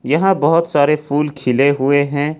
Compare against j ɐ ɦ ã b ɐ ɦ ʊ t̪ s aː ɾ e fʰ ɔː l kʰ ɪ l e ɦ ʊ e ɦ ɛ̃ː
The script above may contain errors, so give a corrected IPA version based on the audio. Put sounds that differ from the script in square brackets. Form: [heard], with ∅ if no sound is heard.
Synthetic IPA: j ɐ ɦ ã b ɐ ɦ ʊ t̪ s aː ɾ e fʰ [uː] l kʰ ɪ l e ɦ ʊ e ɦ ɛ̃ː